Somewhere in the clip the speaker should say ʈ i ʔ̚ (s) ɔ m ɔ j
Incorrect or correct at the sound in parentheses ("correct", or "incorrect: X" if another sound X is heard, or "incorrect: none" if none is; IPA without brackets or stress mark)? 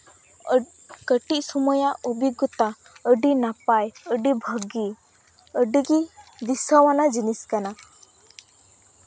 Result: correct